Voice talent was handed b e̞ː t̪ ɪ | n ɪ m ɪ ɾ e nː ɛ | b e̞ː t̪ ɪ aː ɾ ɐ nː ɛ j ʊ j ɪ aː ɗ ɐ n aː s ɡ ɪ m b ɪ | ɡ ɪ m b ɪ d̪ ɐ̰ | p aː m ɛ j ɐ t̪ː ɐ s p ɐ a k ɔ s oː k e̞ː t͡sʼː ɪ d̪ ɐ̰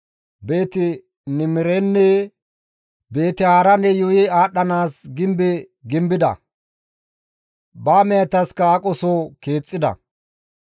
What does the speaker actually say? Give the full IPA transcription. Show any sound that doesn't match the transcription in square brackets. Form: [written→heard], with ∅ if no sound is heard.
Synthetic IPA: b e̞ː t̪ ɪ | n ɪ m ɪ ɾ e nː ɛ | b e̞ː t̪ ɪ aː ɾ ɐ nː ɛ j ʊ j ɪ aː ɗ ɐ n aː s ɡ ɪ m b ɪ | ɡ ɪ m b ɪ d̪ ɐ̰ | [p→b] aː m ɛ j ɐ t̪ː ɐ s [p→k] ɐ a [k→kʼ] ɔ s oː k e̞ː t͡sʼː ɪ d̪ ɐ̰